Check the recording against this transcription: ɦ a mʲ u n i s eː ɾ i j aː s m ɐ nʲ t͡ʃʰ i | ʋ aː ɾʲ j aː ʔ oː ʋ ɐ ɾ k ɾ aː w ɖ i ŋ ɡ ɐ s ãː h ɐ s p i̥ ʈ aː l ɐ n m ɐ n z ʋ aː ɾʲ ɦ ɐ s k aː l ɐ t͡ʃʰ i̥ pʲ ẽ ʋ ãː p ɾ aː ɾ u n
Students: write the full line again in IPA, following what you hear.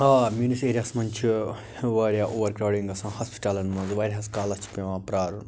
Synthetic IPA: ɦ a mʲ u n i s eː ɾ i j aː s m ɐ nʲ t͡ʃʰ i | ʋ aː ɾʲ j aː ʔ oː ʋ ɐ ɾ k ɾ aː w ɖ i ŋ ɡ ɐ s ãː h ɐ s p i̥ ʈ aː l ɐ n m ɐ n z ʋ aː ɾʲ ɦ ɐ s k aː l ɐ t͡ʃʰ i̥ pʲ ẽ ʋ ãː p ɾ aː ɾ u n